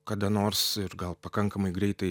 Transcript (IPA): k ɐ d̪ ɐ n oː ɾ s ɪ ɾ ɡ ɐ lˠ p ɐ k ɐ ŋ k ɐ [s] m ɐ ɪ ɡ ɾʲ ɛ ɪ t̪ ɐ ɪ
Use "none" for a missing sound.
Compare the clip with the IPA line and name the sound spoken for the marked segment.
none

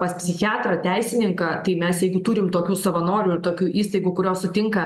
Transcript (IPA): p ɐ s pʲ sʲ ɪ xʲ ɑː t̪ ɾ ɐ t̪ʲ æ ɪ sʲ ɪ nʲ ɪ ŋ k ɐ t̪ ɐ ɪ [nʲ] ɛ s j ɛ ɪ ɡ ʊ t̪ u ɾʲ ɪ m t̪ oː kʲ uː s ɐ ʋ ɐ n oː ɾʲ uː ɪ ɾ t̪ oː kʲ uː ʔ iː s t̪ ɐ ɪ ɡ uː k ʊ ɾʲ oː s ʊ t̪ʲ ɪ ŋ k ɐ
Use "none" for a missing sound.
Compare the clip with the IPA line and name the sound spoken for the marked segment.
mʲ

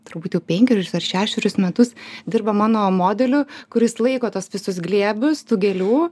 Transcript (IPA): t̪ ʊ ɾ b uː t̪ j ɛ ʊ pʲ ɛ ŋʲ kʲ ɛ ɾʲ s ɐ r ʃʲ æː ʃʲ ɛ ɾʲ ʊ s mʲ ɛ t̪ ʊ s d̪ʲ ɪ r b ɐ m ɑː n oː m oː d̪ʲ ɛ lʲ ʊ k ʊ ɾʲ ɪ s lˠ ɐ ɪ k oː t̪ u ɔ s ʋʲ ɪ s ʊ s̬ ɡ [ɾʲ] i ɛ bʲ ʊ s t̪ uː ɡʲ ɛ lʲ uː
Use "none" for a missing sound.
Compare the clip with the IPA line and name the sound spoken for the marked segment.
lʲ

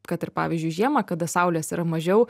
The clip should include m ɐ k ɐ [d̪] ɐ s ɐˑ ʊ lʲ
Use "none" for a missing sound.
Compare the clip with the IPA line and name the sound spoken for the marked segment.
d̪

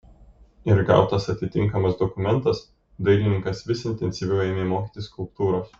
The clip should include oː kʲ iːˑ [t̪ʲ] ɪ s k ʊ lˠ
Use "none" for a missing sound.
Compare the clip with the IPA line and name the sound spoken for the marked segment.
t̪ʲ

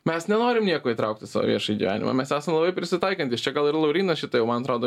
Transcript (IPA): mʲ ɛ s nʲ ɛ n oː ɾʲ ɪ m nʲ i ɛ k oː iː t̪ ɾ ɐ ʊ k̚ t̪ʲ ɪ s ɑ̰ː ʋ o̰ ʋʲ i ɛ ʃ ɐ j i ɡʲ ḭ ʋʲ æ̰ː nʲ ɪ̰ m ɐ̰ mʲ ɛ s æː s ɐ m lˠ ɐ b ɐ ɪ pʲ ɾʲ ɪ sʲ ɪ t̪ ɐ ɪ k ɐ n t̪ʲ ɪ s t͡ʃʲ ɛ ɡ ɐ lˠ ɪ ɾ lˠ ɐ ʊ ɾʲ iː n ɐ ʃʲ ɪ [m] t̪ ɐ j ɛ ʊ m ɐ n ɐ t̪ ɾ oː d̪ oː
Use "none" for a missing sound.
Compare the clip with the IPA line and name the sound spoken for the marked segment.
none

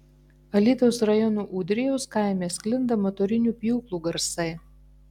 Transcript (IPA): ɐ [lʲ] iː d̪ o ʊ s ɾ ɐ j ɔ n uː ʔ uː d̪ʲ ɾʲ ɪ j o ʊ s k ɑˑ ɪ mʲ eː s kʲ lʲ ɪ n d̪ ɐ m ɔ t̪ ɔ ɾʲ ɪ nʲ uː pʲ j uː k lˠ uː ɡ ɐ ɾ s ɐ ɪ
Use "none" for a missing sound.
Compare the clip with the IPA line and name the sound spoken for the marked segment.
lʲ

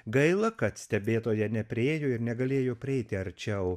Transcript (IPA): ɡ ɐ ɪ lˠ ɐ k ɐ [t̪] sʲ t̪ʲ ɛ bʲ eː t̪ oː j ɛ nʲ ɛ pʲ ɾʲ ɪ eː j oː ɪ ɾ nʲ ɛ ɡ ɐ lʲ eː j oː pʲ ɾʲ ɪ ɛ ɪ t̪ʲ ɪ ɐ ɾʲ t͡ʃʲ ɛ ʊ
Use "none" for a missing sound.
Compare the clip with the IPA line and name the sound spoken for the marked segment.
t̪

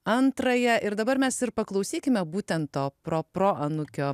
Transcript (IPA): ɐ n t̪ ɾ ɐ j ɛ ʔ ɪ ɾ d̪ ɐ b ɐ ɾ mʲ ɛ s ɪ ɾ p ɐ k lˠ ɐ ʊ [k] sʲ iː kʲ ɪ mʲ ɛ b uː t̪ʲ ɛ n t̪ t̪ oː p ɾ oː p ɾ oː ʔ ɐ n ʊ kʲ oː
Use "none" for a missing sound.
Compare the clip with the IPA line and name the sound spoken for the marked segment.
none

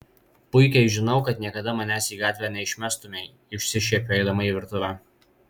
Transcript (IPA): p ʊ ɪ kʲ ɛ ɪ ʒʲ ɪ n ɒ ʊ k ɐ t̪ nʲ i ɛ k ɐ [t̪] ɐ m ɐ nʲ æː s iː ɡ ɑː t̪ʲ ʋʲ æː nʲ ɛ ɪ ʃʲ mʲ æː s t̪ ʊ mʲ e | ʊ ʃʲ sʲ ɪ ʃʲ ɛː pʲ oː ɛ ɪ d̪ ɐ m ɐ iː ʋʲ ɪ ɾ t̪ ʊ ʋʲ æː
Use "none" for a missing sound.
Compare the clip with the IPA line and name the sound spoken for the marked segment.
d̪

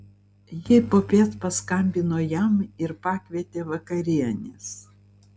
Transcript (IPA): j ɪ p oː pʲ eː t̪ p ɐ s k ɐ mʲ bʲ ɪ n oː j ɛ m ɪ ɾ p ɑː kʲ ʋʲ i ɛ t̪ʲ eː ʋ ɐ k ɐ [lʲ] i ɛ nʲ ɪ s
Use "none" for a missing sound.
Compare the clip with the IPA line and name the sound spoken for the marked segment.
ɾʲ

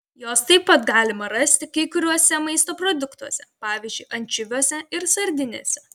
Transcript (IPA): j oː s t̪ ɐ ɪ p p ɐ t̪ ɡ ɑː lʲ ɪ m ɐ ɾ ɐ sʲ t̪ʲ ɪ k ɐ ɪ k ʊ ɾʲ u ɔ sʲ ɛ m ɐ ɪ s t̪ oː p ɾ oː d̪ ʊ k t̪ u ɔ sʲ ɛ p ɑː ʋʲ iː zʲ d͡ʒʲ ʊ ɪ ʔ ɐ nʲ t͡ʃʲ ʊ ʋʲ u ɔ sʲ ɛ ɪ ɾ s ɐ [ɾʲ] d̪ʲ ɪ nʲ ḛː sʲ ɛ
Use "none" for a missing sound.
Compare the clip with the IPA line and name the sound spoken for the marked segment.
ɾʲ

